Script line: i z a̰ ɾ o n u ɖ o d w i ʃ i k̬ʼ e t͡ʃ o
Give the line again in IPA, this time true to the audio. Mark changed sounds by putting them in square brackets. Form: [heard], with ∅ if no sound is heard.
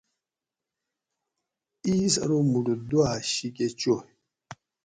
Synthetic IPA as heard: i [s] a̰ ɾ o [m] u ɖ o d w [a] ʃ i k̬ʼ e t͡ʃ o